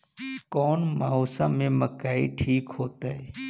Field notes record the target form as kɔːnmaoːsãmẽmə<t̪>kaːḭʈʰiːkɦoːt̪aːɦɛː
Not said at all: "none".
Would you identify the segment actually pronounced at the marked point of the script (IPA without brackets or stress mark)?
none